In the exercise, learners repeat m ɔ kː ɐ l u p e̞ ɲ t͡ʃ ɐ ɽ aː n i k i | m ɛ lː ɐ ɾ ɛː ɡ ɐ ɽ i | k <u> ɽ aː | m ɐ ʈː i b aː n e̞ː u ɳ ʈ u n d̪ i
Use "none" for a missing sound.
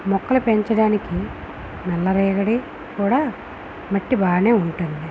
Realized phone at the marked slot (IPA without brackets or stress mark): uː